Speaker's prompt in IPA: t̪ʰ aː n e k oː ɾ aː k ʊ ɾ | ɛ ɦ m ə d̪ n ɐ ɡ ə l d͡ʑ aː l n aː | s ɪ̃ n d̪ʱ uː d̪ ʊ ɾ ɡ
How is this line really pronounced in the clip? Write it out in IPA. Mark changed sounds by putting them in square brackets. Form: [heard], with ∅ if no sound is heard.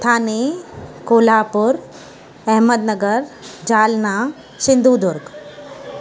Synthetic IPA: t̪ʰ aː n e k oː [l] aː [p] ʊ ɾ | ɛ ɦ m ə d̪ n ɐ ɡ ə [ɾ] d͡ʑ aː l n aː | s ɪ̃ n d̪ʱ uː d̪ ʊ ɾ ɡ